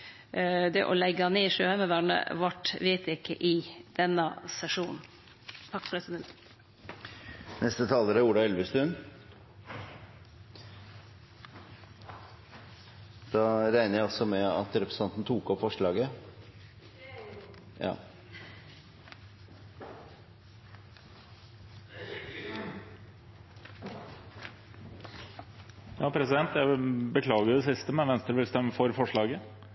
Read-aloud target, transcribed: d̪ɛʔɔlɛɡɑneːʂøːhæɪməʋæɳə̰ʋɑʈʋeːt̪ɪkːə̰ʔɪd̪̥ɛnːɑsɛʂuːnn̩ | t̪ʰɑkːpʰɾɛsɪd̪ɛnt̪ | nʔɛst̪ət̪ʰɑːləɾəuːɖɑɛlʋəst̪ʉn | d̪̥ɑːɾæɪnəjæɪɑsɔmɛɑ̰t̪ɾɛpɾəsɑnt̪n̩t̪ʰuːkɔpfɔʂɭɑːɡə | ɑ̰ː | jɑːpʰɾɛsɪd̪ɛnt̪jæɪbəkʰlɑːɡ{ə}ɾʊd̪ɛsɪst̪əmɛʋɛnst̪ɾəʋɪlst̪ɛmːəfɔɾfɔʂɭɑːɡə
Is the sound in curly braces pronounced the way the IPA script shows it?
yes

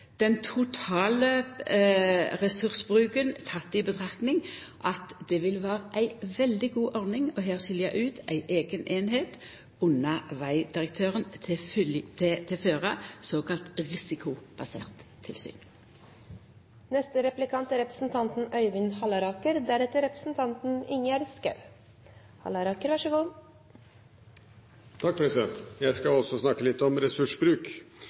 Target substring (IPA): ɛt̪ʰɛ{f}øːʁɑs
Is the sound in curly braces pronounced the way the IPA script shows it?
yes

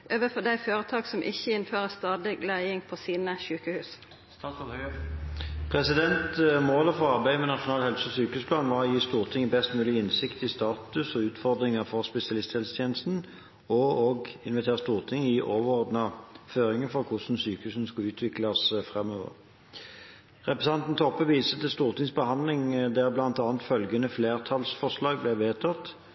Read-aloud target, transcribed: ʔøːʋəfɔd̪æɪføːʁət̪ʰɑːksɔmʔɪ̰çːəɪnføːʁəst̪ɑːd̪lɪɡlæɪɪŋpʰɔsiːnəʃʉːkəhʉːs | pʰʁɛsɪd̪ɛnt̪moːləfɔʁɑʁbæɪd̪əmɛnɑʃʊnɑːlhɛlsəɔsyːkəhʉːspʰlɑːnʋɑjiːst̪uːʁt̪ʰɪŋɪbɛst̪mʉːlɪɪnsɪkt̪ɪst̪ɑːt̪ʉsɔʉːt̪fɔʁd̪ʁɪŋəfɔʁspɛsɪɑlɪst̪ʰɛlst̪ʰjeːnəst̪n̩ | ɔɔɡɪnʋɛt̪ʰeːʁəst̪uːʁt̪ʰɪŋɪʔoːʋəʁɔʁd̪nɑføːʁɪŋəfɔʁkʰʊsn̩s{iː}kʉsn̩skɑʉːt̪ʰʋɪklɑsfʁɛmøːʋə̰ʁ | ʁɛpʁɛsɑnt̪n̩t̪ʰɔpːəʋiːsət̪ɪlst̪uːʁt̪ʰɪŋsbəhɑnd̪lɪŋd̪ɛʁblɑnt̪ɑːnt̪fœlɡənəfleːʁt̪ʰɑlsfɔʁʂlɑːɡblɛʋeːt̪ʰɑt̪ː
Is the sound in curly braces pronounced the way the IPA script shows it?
no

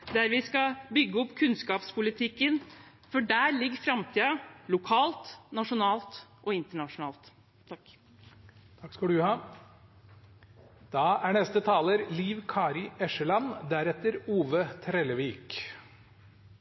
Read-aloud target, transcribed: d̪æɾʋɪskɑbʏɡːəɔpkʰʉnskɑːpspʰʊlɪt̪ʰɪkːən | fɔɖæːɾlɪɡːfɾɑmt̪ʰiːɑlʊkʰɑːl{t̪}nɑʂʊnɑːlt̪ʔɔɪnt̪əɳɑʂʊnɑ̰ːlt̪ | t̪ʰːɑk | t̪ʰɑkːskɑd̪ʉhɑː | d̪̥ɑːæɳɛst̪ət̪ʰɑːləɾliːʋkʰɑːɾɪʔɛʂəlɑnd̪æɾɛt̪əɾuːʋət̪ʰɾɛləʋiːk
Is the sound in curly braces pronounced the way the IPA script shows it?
yes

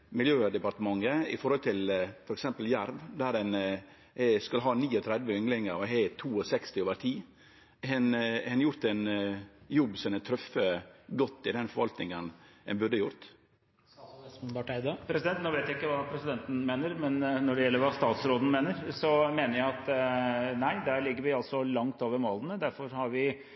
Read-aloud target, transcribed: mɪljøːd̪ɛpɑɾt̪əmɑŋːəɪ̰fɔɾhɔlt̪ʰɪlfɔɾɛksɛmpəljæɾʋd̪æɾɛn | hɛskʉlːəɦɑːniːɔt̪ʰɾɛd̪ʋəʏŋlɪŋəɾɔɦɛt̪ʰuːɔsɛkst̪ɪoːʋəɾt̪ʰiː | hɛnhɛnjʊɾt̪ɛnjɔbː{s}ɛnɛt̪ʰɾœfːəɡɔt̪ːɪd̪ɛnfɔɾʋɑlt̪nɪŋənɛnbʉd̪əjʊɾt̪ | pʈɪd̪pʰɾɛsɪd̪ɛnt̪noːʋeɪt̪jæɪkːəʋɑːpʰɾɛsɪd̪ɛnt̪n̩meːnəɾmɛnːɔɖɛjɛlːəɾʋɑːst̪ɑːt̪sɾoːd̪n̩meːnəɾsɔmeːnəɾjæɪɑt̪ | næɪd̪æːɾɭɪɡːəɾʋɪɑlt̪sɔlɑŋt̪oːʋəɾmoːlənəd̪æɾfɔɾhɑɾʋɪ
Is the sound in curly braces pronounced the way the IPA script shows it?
yes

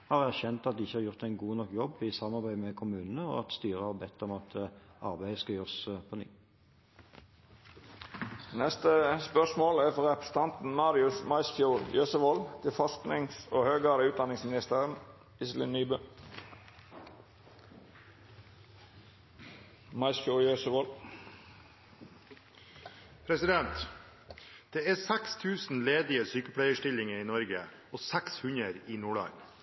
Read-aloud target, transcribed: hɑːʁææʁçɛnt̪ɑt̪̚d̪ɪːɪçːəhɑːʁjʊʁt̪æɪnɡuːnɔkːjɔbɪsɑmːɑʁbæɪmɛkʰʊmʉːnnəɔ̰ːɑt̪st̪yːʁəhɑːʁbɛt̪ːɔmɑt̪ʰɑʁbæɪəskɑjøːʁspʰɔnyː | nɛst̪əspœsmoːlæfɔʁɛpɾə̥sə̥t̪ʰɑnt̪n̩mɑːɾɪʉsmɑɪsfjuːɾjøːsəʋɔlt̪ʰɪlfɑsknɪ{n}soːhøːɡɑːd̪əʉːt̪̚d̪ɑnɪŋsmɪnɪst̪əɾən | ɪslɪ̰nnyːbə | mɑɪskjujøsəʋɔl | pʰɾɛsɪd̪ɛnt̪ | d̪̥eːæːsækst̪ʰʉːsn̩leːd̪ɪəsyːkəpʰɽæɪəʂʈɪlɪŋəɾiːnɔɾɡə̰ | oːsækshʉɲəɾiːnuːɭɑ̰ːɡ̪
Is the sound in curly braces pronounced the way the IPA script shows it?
no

